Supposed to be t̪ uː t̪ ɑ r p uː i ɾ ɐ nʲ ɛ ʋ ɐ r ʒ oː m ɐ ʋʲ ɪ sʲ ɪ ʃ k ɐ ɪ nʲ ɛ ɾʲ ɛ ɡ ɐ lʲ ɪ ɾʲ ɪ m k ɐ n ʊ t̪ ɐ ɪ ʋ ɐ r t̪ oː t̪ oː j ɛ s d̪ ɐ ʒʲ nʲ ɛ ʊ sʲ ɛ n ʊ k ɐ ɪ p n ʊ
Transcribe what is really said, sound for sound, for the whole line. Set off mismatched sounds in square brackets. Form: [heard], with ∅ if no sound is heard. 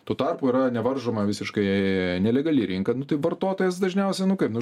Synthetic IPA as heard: t̪ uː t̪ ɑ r p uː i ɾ ɐ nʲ ɛ ʋ ɐ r ʒ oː m ɐ ʋʲ ɪ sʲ ɪ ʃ k ɐ ɪ nʲ ɛ [lʲ] ɛ ɡ ɐ lʲ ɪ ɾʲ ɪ [ŋ] k ɐ n ʊ t̪ ɐ ɪ ʋ ɐ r t̪ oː t̪ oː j ɛ s d̪ ɐ ʒʲ nʲ ɛ ʊ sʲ ɛ n ʊ k ɐ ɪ p n ʊ